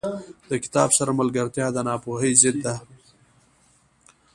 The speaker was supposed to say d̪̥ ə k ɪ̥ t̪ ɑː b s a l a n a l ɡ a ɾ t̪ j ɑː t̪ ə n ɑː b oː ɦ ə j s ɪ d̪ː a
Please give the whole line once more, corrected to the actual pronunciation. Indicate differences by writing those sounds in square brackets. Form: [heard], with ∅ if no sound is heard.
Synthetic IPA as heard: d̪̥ ə k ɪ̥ t̪ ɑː b s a [ɾ] a [m] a l ɡ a ɾ t̪ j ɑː [d̪] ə n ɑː [p] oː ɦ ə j [z] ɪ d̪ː a